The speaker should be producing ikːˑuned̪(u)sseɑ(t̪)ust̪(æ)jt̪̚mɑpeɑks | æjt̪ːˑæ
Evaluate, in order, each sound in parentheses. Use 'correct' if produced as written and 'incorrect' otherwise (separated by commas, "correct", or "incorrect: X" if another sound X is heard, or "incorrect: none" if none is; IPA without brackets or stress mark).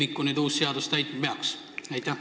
incorrect: uː, incorrect: d̪, correct